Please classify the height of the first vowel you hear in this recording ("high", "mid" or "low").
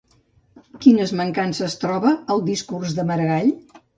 high